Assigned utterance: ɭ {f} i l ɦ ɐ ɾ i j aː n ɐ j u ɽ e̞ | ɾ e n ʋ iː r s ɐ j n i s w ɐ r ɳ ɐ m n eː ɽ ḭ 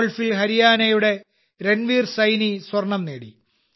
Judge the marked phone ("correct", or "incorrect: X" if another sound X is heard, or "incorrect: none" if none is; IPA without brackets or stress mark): correct